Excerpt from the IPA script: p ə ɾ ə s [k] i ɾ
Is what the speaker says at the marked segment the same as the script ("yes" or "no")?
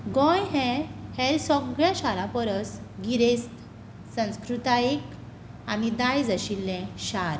no